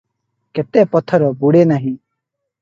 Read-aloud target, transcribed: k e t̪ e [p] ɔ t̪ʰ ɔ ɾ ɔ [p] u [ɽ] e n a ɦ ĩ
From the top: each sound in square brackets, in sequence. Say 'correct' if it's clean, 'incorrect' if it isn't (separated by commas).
correct, incorrect, correct